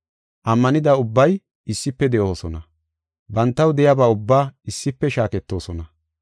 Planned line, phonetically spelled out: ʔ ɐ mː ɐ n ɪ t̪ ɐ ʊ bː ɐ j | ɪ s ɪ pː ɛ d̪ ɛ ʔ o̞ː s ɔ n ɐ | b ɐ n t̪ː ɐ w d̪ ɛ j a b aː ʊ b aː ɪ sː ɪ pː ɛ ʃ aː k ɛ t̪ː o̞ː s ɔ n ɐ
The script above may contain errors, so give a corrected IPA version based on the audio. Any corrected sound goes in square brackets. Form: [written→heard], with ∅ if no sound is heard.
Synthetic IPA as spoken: ʔ ɐ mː ɐ n ɪ [t̪→d̪] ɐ ʊ bː ɐ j | ɪ [s→sː] ɪ pː ɛ d̪ ɛ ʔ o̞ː s ɔ n ɐ | b ɐ n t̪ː ɐ w d̪ ɛ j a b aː ʊ [b→bː] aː ɪ sː ɪ pː ɛ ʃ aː k ɛ t̪ː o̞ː s ɔ n ɐ